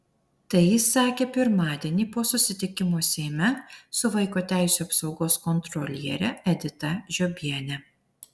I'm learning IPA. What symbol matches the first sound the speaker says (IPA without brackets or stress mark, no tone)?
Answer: t̪